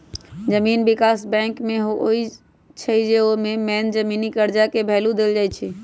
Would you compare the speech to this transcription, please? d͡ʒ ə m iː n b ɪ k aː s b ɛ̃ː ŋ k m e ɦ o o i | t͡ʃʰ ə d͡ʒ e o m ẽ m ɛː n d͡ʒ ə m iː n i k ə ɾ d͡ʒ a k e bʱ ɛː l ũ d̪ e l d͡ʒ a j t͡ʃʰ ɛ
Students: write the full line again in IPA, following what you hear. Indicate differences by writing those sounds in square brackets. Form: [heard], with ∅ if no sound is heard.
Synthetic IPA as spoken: d͡ʒ ə m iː n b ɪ k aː s b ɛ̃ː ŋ k m e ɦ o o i | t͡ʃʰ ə d͡ʒ e o m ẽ m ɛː n d͡ʒ ə m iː n i k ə ɾ d͡ʒ a k e bʱ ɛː l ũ d̪ e l d͡ʒ a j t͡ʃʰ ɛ